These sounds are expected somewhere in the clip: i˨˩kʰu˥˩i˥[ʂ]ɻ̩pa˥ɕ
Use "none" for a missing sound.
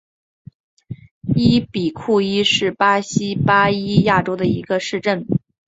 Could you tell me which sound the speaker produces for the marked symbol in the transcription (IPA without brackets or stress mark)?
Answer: ʂ